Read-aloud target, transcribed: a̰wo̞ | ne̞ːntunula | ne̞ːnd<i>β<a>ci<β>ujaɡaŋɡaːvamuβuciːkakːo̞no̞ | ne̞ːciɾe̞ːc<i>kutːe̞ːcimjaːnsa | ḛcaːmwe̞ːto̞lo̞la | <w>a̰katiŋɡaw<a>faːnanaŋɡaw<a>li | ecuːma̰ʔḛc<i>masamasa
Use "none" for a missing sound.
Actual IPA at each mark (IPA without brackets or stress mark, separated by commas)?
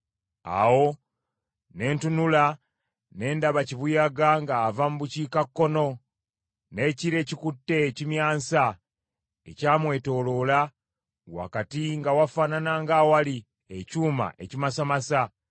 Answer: a, a, β, i, w, a, a, i